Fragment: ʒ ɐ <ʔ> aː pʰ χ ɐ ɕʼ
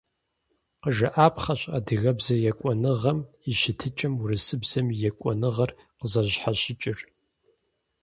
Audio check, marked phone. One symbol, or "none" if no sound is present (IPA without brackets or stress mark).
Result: ʔ